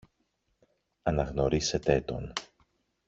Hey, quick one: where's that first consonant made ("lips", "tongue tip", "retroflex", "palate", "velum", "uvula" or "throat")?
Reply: tongue tip